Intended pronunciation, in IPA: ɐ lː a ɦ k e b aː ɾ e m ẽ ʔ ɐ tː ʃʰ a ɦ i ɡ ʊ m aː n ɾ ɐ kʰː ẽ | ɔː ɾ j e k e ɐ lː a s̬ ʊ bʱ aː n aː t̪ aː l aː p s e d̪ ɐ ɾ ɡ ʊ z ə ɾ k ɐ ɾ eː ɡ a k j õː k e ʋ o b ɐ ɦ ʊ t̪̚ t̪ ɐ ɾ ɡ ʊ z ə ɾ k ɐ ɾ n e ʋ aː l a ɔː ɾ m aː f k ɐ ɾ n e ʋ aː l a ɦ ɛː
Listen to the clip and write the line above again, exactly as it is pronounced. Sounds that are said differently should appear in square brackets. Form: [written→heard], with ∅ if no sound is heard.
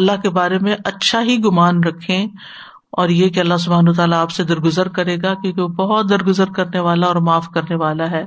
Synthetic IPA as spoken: ɐ lː a ɦ k e b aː ɾ e m ẽ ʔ ɐ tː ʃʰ a ɦ i ɡ ʊ m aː n ɾ ɐ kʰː ẽ | ɔː ɾ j e k e ɐ lː a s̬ ʊ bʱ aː n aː t̪ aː l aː p s e d̪ ɐ ɾ ɡ ʊ z ə ɾ k ɐ ɾ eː ɡ a k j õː k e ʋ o b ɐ ɦ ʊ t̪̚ [t̪→d̪] ɐ ɾ ɡ ʊ z ə ɾ k ɐ ɾ n e ʋ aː l a ɔː ɾ m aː f k ɐ ɾ n e ʋ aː l a ɦ ɛː